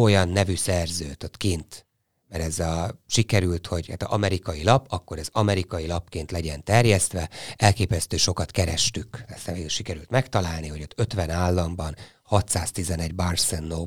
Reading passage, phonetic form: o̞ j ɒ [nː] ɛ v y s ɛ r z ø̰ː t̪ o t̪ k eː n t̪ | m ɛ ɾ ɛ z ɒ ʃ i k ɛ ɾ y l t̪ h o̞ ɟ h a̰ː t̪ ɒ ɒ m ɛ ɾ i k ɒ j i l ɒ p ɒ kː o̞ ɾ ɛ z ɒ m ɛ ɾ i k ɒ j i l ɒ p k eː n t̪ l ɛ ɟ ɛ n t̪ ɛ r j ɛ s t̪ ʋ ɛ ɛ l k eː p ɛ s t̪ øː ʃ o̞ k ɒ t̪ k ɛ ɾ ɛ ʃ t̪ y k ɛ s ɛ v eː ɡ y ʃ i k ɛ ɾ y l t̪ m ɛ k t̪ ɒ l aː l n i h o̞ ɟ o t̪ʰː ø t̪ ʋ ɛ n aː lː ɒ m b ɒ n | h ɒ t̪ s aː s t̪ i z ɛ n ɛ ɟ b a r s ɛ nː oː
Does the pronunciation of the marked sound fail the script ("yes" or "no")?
no